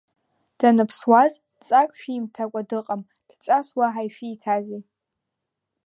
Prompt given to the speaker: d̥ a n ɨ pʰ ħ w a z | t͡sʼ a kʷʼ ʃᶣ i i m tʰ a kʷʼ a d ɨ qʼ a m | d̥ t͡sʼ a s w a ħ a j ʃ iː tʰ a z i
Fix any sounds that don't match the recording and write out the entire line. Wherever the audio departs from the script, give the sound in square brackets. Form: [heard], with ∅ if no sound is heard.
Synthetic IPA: d̥ a n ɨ pʰ [s] w a z | t͡sʼ a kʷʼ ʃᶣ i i m tʰ a kʷʼ a d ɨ qʼ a m | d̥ t͡sʼ a s w a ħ a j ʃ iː tʰ a z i